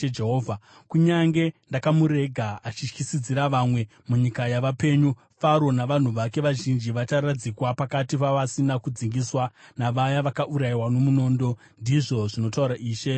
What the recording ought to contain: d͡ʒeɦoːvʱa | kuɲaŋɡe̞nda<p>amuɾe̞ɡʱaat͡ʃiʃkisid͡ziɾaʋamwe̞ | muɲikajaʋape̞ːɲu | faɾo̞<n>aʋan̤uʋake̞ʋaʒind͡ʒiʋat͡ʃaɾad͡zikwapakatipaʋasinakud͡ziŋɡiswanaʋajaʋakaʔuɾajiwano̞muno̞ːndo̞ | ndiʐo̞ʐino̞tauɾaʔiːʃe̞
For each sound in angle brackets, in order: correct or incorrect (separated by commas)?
incorrect, correct